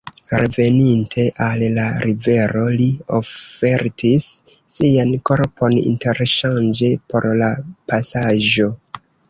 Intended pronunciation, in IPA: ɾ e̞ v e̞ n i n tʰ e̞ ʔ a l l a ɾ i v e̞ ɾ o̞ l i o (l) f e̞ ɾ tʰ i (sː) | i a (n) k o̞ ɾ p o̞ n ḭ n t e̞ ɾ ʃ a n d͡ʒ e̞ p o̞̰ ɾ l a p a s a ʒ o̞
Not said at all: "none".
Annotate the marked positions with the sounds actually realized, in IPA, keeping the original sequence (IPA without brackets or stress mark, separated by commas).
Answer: none, sː, n